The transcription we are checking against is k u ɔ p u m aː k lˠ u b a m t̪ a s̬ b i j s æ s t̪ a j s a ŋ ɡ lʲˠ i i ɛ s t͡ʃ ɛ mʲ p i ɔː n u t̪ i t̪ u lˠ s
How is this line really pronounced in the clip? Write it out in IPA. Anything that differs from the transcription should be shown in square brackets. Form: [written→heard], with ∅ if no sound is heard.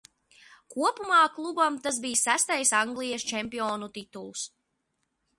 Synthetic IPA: k u ɔ p u m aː k lˠ u b a m t̪ a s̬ b i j s æ s t̪ a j s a ŋ ɡ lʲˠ i [i→j] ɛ s t͡ʃ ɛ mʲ p i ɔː n u t̪ i t̪ u lˠ s

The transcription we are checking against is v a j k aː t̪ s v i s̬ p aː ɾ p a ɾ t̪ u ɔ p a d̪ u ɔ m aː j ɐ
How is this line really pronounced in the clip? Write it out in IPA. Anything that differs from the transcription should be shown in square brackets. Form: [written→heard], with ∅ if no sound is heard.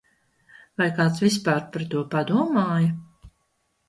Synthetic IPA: v a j k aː t̪ s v i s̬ p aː ɾ p a ɾ t̪ u ɔ p a d̪ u ɔ m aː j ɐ

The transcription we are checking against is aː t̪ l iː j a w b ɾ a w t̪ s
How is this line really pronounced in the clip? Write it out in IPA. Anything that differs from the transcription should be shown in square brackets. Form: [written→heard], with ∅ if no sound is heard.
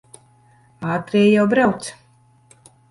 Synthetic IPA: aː t̪ [l→ɾ] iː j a w b ɾ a w t̪ s

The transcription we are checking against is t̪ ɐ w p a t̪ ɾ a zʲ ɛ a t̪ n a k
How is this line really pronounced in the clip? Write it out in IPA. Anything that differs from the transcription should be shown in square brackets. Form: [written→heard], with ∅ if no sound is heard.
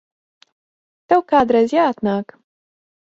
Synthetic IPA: t̪ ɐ w [p→k] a [t̪→d̪] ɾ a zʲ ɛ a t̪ n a k

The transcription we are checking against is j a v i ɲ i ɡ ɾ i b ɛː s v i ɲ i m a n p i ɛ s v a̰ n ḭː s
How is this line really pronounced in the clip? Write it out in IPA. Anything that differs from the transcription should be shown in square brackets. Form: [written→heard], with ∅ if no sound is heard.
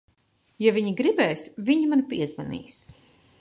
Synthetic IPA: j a v i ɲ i ɡ ɾ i b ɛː s v i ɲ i m a n p i ɛ [s→z] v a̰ n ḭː s

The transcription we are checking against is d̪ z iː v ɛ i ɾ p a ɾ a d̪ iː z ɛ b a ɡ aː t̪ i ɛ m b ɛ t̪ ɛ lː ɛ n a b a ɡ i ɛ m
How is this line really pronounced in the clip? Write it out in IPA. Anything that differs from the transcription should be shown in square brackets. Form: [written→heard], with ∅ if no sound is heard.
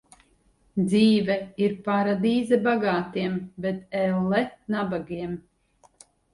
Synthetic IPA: d̪ z iː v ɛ i ɾ p a ɾ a d̪ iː z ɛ b a ɡ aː t̪ i ɛ m b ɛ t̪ ɛ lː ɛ n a b a ɡ i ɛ m

